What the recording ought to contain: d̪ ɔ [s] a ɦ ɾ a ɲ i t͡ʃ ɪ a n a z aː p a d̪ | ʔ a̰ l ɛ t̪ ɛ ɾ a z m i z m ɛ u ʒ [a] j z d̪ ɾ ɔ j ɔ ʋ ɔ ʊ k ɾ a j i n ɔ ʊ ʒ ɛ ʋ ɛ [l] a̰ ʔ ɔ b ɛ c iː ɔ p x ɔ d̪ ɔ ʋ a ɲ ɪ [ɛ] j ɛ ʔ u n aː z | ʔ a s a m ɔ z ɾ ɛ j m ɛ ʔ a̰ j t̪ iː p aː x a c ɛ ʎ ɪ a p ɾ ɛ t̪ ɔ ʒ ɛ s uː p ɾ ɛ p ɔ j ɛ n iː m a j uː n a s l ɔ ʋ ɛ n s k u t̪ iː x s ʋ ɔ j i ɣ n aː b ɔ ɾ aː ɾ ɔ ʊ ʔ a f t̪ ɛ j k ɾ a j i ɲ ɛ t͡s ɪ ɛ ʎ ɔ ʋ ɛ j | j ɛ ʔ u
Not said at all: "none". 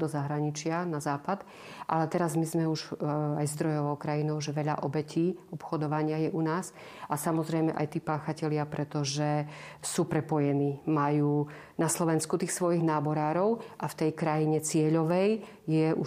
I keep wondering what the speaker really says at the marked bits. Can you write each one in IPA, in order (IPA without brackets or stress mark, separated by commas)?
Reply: z, a, ʎ, a